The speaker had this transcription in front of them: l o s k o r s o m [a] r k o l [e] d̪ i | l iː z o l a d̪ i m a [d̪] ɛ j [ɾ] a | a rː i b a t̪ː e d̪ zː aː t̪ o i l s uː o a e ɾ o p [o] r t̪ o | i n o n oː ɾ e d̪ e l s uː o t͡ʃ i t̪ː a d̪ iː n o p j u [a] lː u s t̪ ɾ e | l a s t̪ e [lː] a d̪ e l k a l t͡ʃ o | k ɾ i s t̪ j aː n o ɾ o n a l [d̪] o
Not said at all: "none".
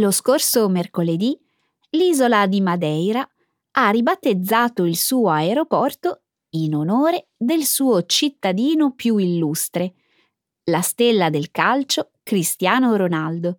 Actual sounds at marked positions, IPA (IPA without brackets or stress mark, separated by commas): e, e, d̪, ɾ, ɔ, i, lː, d̪